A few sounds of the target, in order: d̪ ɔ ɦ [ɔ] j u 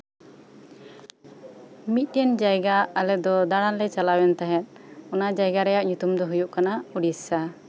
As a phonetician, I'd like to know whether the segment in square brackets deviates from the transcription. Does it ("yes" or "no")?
yes